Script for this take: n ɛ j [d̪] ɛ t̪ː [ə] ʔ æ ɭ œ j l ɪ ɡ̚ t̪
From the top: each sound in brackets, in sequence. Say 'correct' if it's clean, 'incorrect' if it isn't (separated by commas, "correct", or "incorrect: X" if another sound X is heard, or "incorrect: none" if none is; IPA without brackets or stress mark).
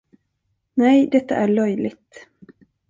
correct, incorrect: a